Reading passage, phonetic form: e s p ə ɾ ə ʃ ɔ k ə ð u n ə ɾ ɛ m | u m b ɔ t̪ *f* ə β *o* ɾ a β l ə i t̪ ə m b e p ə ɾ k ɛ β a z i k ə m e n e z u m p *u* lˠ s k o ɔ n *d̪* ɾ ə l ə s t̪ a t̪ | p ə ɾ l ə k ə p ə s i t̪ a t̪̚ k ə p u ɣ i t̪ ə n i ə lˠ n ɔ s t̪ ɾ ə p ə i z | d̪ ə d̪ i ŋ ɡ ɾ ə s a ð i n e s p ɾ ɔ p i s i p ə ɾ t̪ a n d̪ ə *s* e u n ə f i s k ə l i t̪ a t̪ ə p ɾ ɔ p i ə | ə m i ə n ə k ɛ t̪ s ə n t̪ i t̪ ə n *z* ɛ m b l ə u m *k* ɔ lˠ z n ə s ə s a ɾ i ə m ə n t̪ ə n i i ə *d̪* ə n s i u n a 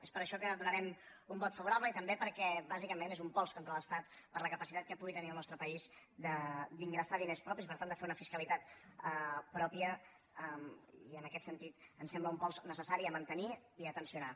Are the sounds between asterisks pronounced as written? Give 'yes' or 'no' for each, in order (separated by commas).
yes, no, no, no, no, no, no, no